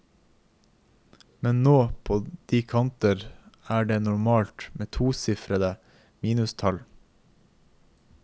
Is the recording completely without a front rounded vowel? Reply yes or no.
yes